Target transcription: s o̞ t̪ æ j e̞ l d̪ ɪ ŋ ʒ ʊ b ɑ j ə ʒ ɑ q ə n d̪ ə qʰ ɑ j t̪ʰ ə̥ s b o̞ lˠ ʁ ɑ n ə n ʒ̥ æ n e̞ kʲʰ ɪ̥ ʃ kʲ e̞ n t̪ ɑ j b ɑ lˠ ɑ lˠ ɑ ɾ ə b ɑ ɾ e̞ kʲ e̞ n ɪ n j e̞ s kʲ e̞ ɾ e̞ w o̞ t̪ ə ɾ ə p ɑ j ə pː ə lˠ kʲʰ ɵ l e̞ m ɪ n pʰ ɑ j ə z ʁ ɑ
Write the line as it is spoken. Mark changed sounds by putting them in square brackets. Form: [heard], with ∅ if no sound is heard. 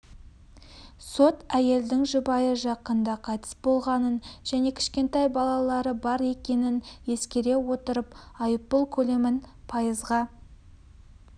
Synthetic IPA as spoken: s o̞ t̪ æ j e̞ l d̪ ɪ ŋ ʒ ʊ b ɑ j ə ʒ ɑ q ə n d̪ [ɑ] qʰ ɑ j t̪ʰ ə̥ s b o̞ lˠ ʁ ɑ n ə n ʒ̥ æ n e̞ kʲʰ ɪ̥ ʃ kʲ e̞ n t̪ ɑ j b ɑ lˠ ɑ lˠ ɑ ɾ ə b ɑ ɾ e̞ kʲ e̞ n ɪ n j e̞ s kʲ e̞ ɾ e̞ w o̞ t̪ ə ɾ ə p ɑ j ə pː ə lˠ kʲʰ ɵ l e̞ m ɪ n pʰ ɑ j ə z ʁ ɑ